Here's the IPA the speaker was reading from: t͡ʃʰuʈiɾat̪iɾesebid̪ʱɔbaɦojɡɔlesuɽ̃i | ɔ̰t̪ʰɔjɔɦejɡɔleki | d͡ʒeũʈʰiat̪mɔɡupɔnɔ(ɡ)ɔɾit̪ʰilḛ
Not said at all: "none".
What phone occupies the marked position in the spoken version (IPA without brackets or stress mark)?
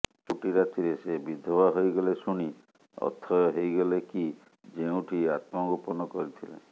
k